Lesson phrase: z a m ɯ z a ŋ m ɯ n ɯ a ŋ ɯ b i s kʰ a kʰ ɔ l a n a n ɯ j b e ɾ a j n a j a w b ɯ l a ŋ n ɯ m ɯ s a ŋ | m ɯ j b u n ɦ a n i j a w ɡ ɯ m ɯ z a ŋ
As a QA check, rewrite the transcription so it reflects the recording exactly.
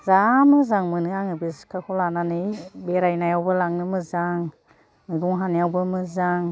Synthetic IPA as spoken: z a m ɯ z a ŋ m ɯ n ɯ a ŋ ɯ b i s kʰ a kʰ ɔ l a n a n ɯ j b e ɾ a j n a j a w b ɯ l a ŋ n ɯ m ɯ z a ŋ | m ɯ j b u ŋ ɦ a n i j a w b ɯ m ɯ z a ŋ